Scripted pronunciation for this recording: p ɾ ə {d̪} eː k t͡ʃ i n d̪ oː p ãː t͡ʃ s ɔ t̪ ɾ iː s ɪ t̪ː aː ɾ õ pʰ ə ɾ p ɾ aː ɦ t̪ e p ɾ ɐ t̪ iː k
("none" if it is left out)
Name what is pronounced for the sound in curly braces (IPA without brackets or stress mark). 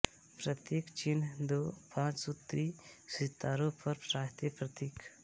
t̪